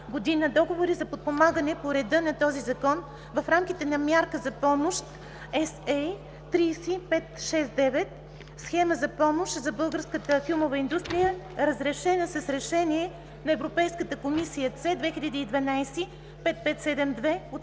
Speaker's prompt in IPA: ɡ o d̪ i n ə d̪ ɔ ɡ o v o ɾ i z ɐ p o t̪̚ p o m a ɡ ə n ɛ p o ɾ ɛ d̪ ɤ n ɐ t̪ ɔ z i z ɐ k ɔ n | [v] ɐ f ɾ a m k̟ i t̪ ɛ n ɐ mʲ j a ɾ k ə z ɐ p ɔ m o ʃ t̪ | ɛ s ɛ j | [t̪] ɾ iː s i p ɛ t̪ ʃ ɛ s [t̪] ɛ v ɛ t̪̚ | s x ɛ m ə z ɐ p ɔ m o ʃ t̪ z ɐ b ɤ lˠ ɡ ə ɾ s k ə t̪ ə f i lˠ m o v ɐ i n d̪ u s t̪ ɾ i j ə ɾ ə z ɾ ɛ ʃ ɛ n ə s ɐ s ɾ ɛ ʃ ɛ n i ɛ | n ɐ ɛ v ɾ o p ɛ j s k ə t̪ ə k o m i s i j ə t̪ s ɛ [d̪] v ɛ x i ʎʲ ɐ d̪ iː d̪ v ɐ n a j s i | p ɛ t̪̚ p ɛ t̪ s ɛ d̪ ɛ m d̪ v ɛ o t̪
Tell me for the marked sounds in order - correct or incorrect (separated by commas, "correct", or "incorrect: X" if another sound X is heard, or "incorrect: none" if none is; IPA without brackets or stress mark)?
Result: correct, correct, incorrect: d̪, correct